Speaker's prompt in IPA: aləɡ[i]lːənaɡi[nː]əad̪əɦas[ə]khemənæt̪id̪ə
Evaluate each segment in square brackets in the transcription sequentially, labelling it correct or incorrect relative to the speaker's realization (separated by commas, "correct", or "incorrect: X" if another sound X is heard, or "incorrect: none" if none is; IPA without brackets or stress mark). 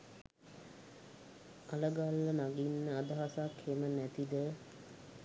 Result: incorrect: a, correct, incorrect: a